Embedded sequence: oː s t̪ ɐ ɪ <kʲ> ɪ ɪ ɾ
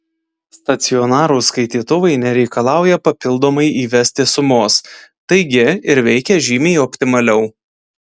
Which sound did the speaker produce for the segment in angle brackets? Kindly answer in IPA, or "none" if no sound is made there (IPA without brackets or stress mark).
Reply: ɡʲ